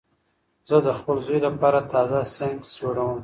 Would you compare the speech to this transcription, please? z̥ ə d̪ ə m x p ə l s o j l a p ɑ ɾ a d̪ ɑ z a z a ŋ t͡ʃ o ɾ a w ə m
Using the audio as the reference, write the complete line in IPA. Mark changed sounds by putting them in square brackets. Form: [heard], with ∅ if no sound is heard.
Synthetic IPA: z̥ ə d̪ ə [∅] x p ə l [z] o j l a p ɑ ɾ a [t̪] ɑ z a [s] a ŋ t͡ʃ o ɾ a w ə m